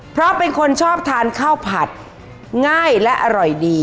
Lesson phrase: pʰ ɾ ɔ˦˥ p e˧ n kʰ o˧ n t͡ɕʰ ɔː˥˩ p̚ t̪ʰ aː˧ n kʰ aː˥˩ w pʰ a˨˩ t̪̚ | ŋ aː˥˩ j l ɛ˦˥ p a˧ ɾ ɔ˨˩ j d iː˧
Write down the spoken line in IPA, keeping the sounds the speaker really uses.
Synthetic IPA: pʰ ɾ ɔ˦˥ p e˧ n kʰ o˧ n t͡ɕʰ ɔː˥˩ p̚ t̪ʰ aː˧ n kʰ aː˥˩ w pʰ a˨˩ t̪̚ | ŋ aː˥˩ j l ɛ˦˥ ʔ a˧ ɾ ɔ˨˩ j d iː˧